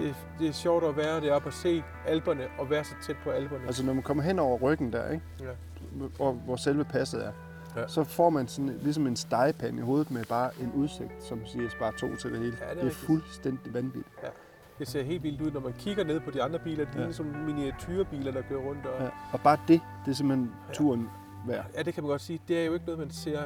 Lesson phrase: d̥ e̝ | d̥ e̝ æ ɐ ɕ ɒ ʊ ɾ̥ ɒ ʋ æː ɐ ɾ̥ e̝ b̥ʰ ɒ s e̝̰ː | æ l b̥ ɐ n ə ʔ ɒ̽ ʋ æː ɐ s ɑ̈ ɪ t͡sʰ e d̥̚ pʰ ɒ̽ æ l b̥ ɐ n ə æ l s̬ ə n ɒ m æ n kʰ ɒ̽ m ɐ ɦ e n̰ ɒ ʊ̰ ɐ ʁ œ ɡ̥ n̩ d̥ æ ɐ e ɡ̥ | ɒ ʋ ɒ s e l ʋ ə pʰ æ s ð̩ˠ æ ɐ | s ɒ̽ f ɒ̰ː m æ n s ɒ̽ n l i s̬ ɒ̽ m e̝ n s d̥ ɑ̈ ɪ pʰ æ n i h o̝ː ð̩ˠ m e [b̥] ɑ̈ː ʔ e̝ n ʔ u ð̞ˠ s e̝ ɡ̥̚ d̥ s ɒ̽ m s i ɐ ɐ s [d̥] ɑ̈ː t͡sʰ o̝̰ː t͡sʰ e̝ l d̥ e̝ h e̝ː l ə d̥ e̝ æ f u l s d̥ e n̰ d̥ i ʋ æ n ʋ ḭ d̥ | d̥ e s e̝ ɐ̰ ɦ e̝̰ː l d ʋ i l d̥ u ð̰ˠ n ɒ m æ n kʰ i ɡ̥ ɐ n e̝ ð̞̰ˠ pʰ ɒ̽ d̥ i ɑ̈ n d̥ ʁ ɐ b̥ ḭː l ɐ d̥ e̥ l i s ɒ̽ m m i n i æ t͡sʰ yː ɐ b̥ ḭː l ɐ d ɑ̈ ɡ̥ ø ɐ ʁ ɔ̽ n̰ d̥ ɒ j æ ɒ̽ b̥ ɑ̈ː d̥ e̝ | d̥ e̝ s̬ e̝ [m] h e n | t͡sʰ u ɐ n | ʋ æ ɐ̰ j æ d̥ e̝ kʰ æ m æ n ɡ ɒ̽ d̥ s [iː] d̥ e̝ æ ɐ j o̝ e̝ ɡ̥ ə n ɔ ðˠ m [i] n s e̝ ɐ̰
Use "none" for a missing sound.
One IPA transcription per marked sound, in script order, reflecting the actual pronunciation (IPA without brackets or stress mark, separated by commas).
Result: b̥, b̥, m, iː, æ